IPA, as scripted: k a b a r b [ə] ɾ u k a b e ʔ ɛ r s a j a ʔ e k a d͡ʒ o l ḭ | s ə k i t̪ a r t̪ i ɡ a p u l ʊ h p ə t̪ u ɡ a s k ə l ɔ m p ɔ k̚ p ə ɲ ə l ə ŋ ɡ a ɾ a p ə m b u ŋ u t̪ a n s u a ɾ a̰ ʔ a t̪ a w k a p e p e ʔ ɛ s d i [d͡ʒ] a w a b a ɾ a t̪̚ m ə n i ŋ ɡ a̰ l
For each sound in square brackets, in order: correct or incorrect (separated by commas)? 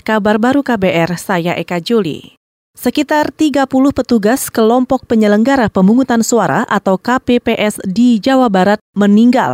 incorrect, correct